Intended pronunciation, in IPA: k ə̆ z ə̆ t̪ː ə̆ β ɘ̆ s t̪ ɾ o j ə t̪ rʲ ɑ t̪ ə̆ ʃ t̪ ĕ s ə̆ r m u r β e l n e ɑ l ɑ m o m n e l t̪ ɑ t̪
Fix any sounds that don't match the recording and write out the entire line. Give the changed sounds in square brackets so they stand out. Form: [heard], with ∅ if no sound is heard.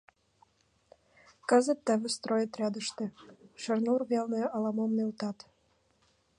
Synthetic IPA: k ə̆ z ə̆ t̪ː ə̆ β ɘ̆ s t̪ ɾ o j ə t̪ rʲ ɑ [d̪] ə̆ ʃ t̪ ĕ [ʃ] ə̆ r [n] u r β e l n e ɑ l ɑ m o m n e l t̪ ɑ t̪